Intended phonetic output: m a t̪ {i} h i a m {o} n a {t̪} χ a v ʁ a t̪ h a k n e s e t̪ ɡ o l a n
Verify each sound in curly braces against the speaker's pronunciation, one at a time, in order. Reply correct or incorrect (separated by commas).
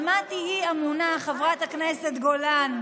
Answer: correct, incorrect, incorrect